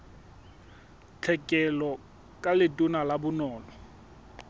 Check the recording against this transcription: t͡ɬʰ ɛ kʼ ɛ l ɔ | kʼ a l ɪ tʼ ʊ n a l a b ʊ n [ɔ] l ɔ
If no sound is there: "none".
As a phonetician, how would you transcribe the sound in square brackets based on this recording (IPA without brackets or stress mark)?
ɔː